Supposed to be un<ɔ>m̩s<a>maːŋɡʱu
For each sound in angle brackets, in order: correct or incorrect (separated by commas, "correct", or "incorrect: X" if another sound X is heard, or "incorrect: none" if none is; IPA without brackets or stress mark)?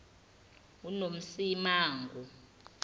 incorrect: o, incorrect: i